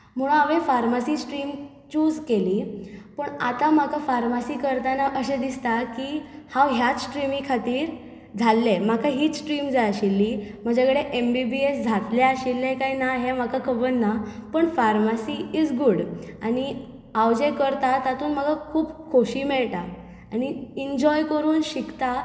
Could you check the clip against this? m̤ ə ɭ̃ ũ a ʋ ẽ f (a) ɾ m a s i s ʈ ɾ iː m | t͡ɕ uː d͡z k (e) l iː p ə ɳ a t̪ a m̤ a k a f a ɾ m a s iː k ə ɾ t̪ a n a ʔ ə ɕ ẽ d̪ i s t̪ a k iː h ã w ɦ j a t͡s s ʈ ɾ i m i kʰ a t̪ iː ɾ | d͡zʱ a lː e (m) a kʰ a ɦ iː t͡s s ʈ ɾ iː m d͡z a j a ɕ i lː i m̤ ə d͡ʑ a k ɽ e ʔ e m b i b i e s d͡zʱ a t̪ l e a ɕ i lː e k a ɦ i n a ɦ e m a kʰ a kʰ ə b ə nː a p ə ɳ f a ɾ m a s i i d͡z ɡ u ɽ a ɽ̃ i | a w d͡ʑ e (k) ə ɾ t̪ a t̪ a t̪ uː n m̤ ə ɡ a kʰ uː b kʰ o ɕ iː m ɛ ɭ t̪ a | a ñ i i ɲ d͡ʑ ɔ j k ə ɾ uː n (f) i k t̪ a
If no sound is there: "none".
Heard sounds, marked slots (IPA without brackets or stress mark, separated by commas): a, e, m, k, ɕ